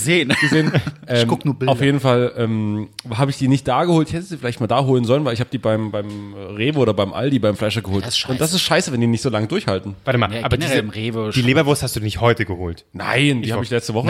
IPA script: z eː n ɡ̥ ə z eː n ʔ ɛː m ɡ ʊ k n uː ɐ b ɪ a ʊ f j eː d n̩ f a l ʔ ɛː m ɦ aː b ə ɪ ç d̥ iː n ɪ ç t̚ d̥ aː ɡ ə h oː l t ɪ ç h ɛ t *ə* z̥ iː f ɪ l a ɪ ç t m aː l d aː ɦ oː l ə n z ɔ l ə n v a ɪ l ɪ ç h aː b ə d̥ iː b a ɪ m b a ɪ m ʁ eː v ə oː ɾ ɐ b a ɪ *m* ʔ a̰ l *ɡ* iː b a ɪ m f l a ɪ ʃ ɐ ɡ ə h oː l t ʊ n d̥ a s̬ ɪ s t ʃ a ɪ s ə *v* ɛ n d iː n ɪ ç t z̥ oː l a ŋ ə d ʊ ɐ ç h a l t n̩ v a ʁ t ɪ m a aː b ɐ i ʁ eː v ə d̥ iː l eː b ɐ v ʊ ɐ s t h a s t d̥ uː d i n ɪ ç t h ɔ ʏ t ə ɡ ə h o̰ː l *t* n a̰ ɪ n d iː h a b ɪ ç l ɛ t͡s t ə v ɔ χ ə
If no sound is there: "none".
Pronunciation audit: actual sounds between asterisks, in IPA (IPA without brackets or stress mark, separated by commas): ə, m, d, v, t